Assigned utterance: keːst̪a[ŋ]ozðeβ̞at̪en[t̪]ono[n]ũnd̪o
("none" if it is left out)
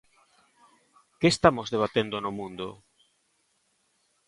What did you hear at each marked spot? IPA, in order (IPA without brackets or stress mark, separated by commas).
m, d̪, m